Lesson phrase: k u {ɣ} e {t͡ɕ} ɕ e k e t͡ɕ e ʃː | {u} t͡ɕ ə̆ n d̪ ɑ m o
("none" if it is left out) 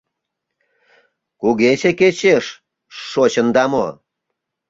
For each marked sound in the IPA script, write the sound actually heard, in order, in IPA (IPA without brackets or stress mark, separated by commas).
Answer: ɣ, none, o